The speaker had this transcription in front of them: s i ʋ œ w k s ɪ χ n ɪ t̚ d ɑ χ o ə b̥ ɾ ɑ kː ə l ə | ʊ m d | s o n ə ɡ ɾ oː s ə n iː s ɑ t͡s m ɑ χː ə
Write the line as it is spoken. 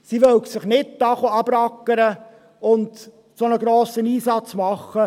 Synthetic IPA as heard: s i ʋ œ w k s ɪ χ n ɪ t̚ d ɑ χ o ɑ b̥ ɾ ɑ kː ə ɾ ə | ʊ n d | s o n ə ɡ ɾ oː s ə n iː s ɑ t͡s m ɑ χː ə